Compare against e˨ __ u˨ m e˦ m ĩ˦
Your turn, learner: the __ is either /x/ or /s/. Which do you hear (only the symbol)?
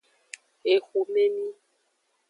x